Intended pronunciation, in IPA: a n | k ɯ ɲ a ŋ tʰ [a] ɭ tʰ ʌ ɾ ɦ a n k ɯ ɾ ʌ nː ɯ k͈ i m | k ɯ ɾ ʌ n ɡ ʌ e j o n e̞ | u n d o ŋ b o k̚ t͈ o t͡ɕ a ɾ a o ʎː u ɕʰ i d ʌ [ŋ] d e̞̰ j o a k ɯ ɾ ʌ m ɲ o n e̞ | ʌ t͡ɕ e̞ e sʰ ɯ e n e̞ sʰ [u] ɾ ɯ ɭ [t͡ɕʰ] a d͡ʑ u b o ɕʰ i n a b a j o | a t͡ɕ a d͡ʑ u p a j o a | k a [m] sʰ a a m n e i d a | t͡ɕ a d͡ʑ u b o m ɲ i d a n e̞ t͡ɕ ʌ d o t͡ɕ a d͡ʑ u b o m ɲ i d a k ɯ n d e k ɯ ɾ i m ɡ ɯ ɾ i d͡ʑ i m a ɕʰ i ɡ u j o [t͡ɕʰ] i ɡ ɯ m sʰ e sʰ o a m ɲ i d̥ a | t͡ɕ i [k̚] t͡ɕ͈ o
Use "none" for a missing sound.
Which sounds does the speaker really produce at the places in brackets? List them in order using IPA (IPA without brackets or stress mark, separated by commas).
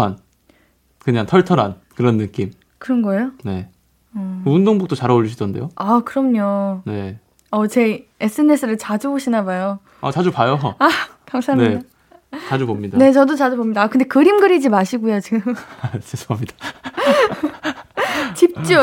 ʌ, n, ɯ, t͡ɕ, ŋ, t͡ɕ, p̚